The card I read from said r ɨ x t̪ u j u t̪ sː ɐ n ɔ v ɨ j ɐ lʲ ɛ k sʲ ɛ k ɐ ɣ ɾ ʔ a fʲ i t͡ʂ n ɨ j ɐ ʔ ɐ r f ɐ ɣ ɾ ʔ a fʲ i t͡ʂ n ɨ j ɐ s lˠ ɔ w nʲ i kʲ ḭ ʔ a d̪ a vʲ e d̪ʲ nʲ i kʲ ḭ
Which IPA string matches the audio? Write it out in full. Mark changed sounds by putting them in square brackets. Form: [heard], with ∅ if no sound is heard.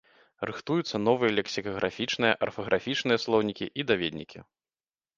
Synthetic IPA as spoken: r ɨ x t̪ u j u t̪ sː ɐ n ɔ v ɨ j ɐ lʲ ɛ k sʲ [i] k ɐ ɣ ɾ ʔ a fʲ i t͡ʂ n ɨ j ɐ ʔ ɐ r f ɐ ɣ ɾ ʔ a fʲ i t͡ʂ n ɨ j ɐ s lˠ ɔ w nʲ i kʲ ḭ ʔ [i] d̪ a vʲ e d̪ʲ nʲ i kʲ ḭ